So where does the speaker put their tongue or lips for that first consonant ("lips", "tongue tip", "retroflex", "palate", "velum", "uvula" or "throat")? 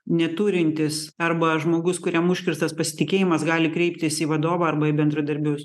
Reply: tongue tip